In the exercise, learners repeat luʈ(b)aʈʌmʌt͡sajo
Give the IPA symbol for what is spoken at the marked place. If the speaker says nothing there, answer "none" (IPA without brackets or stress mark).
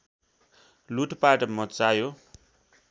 p